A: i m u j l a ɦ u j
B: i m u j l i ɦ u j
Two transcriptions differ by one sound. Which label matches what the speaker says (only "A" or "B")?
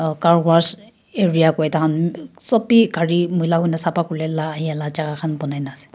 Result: A